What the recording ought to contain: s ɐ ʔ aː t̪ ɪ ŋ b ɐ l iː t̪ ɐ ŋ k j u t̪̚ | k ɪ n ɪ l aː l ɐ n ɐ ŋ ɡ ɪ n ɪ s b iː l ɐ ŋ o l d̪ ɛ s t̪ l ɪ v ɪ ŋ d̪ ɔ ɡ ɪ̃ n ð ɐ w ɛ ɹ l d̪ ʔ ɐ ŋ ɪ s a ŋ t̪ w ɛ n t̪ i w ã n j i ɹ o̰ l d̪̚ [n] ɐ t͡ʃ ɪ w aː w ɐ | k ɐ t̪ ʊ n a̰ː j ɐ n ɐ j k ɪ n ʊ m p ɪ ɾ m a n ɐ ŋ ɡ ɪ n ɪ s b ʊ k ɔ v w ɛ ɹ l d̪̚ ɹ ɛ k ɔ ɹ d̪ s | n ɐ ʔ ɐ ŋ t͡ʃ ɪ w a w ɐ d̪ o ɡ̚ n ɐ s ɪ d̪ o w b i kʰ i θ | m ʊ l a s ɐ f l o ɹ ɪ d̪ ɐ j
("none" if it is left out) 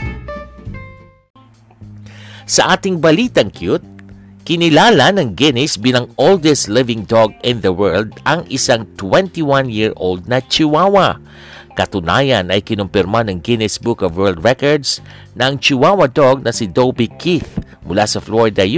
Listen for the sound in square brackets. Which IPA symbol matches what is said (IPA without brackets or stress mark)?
n